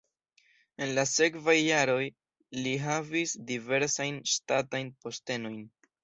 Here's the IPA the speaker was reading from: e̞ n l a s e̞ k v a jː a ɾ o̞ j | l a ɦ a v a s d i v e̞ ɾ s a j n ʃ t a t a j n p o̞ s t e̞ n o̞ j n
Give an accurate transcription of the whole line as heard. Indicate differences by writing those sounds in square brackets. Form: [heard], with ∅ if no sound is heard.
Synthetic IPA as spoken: e̞ n l a s e̞ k v a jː a ɾ o̞ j | l [i] ɦ a v [i] s d i v e̞ ɾ s a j n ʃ t a t a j n p o̞ s t e̞ n o̞ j n